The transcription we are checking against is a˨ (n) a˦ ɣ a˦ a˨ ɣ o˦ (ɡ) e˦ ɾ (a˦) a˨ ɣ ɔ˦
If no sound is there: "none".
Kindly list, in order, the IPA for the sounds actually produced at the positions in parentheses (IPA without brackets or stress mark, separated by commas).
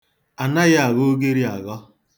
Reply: n, ɡ, i˦